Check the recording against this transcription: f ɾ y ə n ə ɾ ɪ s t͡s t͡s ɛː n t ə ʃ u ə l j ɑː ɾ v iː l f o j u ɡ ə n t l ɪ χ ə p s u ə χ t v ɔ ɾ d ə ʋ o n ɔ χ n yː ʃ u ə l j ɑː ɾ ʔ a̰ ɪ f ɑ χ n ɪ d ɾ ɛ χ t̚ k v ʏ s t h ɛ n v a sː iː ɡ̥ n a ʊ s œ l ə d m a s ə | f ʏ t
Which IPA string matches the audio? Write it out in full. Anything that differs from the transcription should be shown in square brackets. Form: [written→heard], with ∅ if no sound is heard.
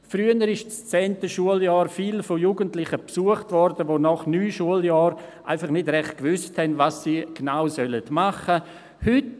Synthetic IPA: f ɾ y ə n ə ɾ ɪ [s→ʃ] t͡s t͡s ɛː n t ə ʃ u ə l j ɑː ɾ [v→f] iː l f o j u ɡ ə n t l ɪ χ ə p s u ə χ t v ɔ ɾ d ə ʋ o n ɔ χ n yː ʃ u ə l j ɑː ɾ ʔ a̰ ɪ f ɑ χ n ɪ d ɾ ɛ χ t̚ k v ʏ s t h ɛ n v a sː iː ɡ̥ n a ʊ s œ l ə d m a [s→χ] ə | [f→h] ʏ t